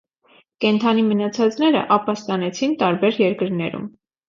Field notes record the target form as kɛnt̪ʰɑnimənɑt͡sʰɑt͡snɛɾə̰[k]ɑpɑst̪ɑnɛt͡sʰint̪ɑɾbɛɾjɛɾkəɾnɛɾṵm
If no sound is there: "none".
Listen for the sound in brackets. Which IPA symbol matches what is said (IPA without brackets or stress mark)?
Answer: ʔ